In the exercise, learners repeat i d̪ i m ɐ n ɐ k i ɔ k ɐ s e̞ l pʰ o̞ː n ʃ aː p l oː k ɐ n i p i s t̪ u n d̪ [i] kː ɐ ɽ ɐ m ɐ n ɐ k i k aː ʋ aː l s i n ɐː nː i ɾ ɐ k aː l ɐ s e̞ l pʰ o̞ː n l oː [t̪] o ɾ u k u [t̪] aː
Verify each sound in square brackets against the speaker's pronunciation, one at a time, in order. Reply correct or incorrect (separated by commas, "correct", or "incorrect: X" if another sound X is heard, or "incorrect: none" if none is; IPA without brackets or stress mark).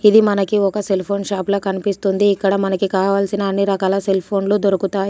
incorrect: iː, incorrect: d̪, correct